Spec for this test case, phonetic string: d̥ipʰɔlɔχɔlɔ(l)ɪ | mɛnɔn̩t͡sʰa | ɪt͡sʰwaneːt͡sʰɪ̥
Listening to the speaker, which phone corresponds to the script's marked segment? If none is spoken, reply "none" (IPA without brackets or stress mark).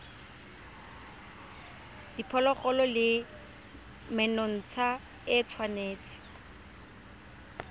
l